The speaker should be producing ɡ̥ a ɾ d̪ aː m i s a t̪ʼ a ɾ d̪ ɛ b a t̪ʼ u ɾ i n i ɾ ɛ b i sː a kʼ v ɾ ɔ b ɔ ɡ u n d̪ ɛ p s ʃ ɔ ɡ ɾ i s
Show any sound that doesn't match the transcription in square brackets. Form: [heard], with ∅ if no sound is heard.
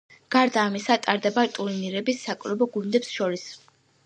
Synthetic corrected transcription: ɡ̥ a ɾ d̪ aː m i s a t̪ʼ a ɾ d̪ ɛ b a t̪ʼ u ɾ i n i ɾ ɛ b i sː a kʼ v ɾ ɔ b ɔ ɡ u n d̪ ɛ p s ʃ ɔ [∅] ɾ i s